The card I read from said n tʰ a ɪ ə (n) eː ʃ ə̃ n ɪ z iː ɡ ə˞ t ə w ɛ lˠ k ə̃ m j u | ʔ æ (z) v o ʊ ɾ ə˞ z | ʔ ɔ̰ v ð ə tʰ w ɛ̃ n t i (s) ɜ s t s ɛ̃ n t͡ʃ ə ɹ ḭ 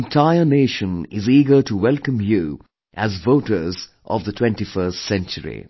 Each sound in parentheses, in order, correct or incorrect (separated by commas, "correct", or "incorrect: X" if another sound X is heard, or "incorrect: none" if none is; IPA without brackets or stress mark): correct, correct, incorrect: f